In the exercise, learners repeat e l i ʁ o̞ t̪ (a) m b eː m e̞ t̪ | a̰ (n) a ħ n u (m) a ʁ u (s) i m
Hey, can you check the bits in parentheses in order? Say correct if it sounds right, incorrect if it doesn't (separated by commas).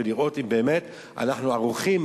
incorrect, correct, incorrect, incorrect